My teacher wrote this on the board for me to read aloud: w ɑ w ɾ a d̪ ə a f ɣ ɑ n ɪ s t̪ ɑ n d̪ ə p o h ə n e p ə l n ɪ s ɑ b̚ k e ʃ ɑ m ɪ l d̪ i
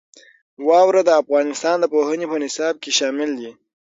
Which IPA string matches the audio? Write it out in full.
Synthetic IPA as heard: w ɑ w ɾ a d̪ ə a f ɣ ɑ n ɪ s t̪ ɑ n d̪ ə p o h ə n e p ə n ɪ s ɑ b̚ k e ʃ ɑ m ɪ l d̪ i